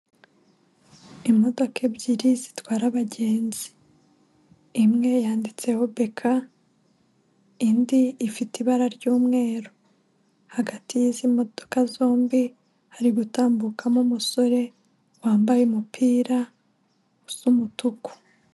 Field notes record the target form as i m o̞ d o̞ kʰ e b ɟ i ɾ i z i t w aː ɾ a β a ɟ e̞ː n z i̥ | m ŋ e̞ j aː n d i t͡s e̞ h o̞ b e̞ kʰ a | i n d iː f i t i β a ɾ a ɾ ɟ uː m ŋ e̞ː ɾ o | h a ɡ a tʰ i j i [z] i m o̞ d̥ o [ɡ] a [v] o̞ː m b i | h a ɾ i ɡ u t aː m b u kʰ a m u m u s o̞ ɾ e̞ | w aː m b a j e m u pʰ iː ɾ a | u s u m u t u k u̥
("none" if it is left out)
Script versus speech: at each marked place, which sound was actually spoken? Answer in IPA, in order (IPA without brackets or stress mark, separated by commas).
z, k, z